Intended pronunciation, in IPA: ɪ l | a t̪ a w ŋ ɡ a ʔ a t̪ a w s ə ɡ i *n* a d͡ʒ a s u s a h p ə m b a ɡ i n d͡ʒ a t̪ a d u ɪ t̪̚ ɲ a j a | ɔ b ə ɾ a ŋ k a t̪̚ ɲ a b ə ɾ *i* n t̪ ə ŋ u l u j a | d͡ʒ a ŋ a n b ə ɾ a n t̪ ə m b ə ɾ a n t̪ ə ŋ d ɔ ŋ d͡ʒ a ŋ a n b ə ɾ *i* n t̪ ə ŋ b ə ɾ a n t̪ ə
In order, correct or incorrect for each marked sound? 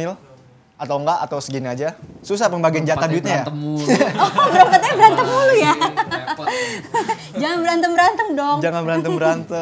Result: correct, incorrect: a, incorrect: a

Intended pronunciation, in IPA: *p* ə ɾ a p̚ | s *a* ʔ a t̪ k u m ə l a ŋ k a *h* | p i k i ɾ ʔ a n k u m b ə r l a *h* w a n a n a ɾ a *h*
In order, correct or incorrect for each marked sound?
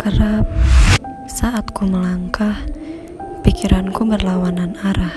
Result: incorrect: k, correct, correct, incorrect: none, correct

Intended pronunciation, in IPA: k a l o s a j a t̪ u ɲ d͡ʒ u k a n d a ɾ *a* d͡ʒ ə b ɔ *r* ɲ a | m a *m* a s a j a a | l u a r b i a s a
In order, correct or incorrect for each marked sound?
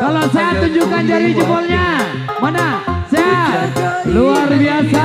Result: incorrect: i, incorrect: l, incorrect: n

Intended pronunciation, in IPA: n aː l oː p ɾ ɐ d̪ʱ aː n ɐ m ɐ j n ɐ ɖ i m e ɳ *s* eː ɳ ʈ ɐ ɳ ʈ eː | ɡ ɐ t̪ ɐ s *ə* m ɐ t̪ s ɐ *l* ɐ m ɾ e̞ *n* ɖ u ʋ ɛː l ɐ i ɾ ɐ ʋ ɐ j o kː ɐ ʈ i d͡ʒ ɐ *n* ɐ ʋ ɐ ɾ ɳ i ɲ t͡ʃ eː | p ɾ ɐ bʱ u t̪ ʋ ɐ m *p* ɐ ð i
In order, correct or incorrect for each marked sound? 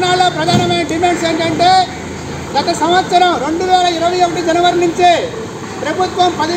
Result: correct, incorrect: ɐ, incorrect: ɾ, incorrect: ɳ, correct, correct

